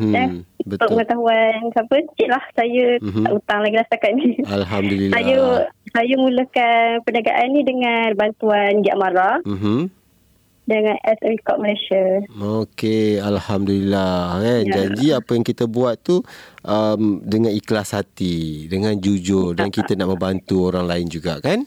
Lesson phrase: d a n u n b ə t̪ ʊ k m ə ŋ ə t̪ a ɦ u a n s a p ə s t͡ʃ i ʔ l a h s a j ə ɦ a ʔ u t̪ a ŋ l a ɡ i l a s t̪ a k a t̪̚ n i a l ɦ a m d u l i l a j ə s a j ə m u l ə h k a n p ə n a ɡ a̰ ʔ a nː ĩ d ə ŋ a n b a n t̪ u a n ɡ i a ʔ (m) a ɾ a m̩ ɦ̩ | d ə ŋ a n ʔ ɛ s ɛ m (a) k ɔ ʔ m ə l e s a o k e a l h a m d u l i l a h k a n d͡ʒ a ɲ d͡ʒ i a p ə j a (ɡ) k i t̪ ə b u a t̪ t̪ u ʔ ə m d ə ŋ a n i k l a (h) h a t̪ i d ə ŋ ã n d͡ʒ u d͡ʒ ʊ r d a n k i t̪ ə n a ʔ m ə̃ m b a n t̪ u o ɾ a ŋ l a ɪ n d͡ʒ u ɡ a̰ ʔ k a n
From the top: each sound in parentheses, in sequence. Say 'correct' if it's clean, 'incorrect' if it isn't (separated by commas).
correct, incorrect, incorrect, incorrect